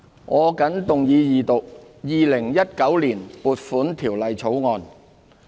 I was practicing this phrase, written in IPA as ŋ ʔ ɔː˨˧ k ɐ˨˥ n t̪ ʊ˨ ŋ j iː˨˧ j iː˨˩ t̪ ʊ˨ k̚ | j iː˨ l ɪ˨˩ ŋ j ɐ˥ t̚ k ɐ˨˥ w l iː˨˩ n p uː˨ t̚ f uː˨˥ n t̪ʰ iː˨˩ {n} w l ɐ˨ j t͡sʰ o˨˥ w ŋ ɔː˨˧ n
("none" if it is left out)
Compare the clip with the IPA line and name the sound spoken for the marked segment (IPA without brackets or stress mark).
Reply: none